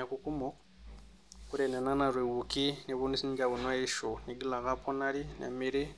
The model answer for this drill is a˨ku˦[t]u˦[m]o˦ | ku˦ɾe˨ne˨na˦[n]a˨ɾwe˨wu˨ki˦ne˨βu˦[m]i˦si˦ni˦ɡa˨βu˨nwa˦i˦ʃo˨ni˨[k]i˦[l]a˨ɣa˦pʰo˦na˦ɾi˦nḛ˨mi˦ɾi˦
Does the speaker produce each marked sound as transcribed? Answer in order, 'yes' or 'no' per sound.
no, yes, yes, no, no, yes

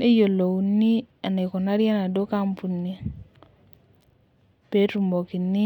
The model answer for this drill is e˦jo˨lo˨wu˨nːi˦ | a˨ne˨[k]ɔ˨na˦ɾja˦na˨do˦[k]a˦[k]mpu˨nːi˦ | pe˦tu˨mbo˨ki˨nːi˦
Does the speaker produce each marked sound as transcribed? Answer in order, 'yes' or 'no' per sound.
yes, yes, no

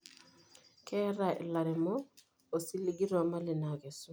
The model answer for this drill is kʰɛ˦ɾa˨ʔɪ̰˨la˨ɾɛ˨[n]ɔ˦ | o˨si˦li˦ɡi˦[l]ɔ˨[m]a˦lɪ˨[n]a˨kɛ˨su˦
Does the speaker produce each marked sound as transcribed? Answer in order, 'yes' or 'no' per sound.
no, no, yes, yes

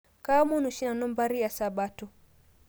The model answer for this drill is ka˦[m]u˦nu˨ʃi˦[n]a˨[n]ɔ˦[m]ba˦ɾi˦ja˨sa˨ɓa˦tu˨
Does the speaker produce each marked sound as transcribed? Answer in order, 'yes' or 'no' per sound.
yes, yes, yes, yes

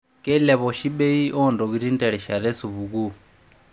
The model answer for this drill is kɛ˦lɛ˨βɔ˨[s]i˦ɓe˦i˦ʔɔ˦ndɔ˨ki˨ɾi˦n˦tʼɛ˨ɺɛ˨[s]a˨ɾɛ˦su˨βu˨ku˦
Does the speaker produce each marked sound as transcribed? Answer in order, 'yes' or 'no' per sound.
no, no

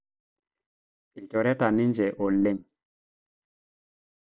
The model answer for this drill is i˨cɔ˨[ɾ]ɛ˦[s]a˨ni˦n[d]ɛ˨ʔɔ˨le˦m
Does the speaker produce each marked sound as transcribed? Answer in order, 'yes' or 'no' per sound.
yes, no, no

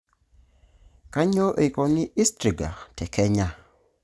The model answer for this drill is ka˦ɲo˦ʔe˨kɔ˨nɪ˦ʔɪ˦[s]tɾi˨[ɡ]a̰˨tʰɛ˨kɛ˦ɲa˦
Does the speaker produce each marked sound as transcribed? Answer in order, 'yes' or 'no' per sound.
yes, yes

